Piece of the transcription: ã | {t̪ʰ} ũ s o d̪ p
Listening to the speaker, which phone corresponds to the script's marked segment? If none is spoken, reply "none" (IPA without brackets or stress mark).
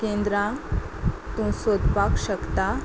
t̪